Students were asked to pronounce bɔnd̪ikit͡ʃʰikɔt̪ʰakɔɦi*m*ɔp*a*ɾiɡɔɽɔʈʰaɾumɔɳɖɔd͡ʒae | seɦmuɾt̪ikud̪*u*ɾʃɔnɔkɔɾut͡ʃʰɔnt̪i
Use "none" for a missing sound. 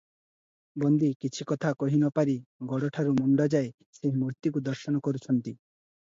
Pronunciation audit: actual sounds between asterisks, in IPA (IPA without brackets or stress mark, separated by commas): n, a, ɔ